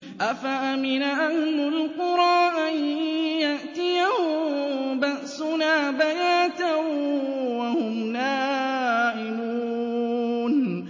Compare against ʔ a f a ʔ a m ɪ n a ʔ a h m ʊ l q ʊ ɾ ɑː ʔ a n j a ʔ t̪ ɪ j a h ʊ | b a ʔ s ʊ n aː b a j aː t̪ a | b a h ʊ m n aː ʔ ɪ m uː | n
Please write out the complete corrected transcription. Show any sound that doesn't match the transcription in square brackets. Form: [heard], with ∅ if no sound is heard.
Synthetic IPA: ʔ a f a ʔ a m ɪ n a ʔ a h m ʊ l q ʊ ɾ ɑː ʔ a n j a ʔ t̪ ɪ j a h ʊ | b a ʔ s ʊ n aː b a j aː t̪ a | [w] a h ʊ m n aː ʔ ɪ m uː | n